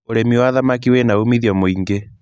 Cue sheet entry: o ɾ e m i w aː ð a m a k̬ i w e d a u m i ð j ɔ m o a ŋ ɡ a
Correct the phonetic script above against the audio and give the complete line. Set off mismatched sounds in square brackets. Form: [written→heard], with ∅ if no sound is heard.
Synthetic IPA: o ɾ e m i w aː ð a m a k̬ i w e [d→n] a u m i ð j ɔ m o [a→i] ŋ ɡ [a→e]